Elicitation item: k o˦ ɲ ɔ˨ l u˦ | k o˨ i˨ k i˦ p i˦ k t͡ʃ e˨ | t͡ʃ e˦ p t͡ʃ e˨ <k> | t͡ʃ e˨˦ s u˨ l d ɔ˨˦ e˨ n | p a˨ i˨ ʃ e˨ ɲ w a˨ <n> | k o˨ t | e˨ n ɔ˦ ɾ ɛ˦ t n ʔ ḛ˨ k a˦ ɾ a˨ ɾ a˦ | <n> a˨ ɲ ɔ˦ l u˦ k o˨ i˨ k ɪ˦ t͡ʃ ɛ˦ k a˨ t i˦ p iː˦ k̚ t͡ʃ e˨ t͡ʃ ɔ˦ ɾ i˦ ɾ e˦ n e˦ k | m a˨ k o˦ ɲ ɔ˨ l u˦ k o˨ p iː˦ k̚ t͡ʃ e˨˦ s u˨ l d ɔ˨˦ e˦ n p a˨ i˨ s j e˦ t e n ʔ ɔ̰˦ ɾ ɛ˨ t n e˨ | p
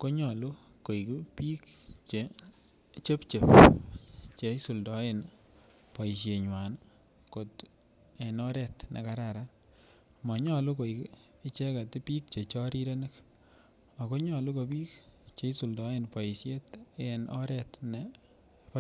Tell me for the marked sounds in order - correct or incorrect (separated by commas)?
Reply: incorrect, correct, incorrect